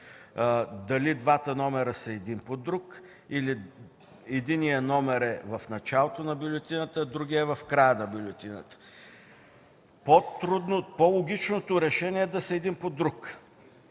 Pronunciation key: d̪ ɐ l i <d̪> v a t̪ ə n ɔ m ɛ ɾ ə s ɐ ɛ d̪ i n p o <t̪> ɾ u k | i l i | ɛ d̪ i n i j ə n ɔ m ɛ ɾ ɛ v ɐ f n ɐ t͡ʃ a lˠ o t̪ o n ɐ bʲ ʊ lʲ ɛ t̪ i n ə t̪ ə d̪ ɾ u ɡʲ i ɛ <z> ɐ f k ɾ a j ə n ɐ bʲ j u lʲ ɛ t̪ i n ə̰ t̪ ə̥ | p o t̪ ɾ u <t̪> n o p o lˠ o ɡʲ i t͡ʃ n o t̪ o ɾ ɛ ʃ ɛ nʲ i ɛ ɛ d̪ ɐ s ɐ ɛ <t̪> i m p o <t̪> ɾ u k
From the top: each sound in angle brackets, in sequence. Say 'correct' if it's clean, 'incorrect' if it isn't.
correct, incorrect: d̪, incorrect: v, incorrect: d̪, incorrect: d̪, incorrect: d̪

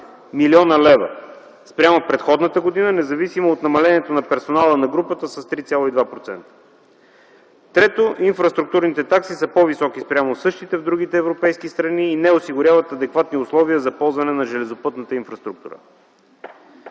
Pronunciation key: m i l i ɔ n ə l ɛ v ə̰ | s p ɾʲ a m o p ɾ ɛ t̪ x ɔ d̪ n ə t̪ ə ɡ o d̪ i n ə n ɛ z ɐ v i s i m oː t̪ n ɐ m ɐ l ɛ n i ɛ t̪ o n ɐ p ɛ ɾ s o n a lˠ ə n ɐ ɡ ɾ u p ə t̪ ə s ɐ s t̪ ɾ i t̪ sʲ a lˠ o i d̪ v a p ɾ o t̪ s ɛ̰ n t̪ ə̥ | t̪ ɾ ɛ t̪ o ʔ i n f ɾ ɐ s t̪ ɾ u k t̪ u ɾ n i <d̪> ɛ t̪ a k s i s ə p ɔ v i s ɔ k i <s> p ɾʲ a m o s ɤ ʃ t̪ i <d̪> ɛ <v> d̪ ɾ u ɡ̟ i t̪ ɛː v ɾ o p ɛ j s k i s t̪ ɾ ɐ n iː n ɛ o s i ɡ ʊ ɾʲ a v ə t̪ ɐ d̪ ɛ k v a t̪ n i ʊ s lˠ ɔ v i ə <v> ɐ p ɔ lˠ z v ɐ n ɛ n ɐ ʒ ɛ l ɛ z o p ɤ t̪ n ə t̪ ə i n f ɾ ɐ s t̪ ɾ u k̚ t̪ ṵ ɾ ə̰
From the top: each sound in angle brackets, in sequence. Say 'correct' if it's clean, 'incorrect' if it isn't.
incorrect: t̪, correct, incorrect: t̪, correct, incorrect: z

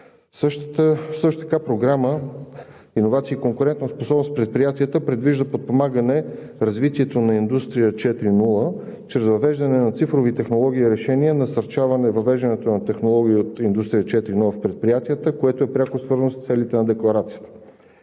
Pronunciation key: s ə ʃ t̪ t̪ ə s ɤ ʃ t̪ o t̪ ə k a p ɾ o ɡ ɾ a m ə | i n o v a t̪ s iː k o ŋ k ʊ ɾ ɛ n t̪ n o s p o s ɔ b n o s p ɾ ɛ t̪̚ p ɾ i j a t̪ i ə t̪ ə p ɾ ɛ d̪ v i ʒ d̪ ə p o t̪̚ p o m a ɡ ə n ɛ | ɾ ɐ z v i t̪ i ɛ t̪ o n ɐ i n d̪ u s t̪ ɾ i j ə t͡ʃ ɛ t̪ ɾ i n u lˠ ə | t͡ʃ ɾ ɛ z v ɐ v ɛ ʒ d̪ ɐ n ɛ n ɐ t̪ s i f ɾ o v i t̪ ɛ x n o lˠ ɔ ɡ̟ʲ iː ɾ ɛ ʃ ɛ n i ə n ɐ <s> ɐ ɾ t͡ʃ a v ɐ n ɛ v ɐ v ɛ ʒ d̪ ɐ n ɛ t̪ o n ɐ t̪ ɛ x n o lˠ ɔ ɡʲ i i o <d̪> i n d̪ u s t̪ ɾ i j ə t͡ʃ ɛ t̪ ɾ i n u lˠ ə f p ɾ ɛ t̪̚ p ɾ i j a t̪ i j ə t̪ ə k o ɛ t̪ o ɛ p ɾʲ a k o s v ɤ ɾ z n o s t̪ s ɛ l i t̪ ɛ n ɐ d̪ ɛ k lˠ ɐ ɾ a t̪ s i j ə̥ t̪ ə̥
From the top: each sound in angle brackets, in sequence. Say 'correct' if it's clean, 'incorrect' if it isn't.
correct, incorrect: t̪

